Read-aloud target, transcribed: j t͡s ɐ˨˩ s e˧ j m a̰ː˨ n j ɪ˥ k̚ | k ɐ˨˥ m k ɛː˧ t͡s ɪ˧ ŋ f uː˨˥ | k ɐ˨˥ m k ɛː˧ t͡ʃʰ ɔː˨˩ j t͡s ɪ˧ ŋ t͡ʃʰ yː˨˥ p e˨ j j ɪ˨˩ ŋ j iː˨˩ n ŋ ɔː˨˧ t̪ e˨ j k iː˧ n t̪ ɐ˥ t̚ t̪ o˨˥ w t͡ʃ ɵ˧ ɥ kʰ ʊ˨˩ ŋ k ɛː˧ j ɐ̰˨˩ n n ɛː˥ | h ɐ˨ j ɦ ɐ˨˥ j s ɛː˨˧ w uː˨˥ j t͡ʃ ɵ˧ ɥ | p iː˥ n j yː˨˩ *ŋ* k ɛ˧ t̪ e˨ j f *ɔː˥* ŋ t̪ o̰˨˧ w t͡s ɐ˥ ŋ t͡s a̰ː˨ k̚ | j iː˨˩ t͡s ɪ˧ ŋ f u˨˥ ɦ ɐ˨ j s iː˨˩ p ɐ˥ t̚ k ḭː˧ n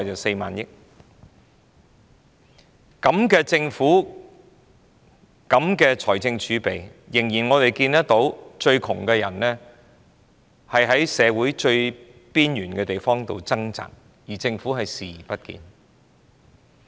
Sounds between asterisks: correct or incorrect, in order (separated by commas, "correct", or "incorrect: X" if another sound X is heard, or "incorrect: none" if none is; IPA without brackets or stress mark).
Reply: incorrect: n, correct